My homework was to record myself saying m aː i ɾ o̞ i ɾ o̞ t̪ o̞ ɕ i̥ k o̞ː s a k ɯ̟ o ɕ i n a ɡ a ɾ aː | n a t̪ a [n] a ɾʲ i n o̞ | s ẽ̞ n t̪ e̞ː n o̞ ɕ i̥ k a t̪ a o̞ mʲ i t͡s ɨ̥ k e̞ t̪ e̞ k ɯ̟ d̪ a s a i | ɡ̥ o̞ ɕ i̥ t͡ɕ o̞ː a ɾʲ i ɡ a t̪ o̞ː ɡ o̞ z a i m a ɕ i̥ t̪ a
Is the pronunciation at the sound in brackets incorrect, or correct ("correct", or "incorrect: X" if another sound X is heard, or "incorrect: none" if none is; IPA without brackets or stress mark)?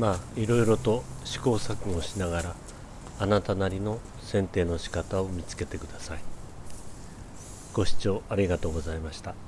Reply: correct